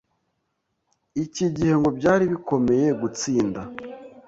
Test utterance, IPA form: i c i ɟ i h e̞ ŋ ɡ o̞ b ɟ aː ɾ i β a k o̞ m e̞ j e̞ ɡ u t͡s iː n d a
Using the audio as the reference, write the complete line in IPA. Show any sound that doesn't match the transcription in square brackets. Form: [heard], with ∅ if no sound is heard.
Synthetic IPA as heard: i c i ɟ i h e̞ ŋ ɡ o̞ b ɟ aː ɾ i β [i] k o̞ m e̞ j e̞ ɡ u t͡s iː n d a

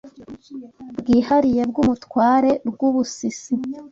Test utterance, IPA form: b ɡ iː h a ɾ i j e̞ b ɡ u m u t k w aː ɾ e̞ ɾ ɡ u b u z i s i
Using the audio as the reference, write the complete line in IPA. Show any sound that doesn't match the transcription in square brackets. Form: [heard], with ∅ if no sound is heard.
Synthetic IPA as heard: b ɡ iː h a ɾ i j e̞ b ɡ u m u t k w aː ɾ e̞ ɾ ɡ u [β] u [s] i s i

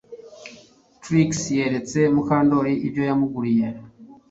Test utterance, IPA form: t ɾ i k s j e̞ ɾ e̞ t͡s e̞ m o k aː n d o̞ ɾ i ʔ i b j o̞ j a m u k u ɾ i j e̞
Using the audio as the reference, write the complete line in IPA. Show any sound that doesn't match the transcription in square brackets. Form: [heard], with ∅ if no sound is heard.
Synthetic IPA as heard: t ɾ i k s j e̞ ɾ e̞ t͡s e̞ m [u] k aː n d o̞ ɾ i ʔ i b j o̞ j a m u [ɡ] u ɾ i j e̞

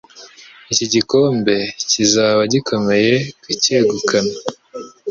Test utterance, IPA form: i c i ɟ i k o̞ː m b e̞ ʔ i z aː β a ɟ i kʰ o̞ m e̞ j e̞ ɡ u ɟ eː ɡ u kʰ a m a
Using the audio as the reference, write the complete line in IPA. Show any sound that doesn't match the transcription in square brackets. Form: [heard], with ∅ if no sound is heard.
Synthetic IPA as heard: i c i ɟ i k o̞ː m b e̞ [c] i z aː β a ɟ i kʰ o̞ m e̞ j e̞ [k] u [c] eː ɡ u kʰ a [n] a

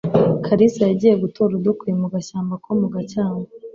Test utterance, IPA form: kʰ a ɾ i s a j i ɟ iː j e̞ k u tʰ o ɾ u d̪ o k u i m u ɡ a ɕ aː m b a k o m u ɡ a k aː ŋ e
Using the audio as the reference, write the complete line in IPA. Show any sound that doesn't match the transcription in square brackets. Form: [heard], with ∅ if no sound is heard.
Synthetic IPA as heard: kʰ a ɾ i s a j [a] ɟ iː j e̞ [ɡ] u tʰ o ɾ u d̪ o k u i m u ɡ a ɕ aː m b a k o m u ɡ a [c] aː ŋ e

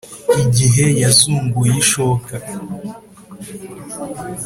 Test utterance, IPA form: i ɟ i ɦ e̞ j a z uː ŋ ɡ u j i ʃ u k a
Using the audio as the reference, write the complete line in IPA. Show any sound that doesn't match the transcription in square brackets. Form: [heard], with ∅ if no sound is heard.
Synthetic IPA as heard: i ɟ i ɦ e̞ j a z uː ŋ ɡ u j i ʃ [o] k a

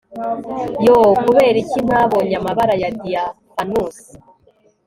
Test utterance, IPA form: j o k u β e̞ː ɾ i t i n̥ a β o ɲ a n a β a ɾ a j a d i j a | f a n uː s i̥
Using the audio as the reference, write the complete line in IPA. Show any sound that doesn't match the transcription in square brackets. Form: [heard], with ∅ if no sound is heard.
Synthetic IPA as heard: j o k u β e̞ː ɾ i [c] i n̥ a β o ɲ a [m] a β a ɾ a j a d i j a | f a n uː s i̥

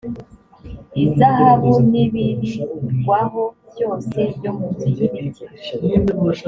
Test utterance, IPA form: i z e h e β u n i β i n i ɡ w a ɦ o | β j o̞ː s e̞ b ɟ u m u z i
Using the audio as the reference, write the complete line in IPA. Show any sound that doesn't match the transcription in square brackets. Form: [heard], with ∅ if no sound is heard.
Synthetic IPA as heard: i z [a] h [a] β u n i β i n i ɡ w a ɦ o | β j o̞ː s e̞ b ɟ [o] m u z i

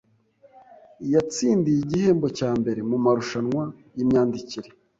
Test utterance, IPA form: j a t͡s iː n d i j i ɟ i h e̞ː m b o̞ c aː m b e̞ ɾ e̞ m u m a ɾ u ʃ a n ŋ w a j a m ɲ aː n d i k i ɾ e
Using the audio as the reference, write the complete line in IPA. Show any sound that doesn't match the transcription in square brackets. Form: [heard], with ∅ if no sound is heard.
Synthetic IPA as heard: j a t͡s iː n d i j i ɟ i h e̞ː m b o̞ c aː m b e̞ ɾ e̞ m u m a ɾ u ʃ a n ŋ w a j [i] m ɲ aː n d i [c] i ɾ e

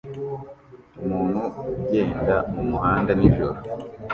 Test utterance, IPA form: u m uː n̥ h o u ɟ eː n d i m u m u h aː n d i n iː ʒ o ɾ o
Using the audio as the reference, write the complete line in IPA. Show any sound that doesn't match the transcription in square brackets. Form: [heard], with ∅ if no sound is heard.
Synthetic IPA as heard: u m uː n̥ h [u] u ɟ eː n d [a] m u m u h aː n d [a] n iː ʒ o ɾ o

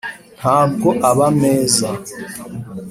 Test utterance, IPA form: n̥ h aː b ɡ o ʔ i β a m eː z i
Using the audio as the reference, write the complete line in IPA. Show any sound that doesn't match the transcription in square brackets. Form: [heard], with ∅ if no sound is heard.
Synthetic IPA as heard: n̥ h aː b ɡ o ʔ [a] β a m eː z [a]

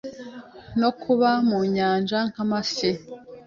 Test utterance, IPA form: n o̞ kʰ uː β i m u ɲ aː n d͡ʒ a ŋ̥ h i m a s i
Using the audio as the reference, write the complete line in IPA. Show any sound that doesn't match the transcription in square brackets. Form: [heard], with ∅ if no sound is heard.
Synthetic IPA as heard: n o̞ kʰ [u] β [a] m u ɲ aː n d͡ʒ a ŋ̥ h [a] m a s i

